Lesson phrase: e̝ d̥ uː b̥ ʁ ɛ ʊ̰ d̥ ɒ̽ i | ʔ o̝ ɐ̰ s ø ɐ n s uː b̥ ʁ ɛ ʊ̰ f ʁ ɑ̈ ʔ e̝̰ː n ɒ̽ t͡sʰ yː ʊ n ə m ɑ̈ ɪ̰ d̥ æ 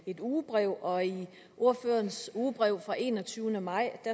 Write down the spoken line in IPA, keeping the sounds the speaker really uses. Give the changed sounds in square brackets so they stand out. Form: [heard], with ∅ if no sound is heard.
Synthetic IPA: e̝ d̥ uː b̥ ʁ ɛ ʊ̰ [∅] ɒ̽ i | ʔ o̝ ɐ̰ [f] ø ɐ n s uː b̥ ʁ ɛ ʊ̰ f ʁ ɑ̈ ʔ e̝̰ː n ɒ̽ t͡sʰ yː ʊ n ə m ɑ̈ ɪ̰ d̥ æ